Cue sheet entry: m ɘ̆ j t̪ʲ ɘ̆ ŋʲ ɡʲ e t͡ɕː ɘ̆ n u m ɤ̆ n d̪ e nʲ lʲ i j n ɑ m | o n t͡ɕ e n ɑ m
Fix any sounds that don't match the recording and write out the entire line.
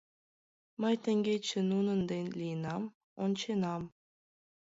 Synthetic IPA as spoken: m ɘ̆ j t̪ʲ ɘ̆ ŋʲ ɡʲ e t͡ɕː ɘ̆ n u n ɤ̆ n d̪ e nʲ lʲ i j n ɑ m | o n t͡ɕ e n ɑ m